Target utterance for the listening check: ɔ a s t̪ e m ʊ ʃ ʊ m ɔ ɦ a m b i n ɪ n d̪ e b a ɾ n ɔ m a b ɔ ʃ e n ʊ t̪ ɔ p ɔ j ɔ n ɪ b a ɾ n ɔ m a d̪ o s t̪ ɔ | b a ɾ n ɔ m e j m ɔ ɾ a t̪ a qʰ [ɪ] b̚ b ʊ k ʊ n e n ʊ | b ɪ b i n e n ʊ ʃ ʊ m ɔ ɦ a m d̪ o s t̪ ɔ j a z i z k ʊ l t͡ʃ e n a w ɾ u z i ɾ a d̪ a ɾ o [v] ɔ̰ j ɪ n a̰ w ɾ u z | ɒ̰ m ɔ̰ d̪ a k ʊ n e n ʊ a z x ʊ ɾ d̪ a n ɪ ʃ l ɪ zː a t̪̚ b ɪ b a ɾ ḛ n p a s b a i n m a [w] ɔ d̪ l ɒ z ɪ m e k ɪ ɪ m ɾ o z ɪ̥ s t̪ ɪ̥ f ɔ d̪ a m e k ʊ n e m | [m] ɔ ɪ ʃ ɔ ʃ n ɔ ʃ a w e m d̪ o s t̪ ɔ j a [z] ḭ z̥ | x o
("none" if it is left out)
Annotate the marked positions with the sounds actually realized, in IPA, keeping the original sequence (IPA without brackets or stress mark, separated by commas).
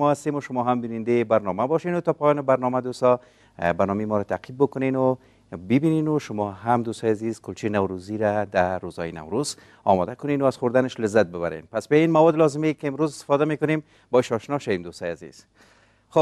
i, z, w, b, z